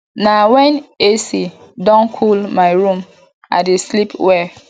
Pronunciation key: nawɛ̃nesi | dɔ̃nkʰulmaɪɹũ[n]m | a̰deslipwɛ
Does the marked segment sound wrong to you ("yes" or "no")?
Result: yes